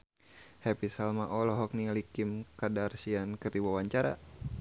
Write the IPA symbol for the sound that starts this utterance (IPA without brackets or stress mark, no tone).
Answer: h